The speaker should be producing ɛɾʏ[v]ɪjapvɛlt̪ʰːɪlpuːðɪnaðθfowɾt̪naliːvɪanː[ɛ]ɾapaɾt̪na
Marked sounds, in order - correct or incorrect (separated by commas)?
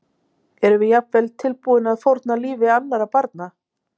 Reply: correct, incorrect